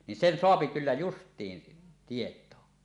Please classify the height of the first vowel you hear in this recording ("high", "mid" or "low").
high